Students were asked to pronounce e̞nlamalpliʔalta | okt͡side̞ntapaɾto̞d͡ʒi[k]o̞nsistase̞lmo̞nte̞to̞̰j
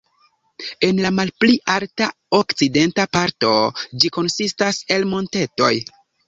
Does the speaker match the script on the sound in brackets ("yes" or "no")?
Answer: yes